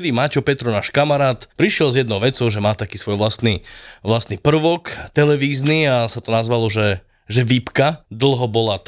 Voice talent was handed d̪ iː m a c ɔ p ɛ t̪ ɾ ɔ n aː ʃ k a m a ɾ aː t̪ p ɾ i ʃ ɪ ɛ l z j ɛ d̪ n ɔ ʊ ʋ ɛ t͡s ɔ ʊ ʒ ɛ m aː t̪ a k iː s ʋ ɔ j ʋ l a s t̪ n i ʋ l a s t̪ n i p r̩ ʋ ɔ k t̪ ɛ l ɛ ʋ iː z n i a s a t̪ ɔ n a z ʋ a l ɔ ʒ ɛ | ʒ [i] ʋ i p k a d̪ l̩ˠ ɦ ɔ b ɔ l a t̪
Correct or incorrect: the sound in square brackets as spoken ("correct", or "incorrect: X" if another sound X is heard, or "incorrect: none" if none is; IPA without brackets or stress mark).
incorrect: ɛ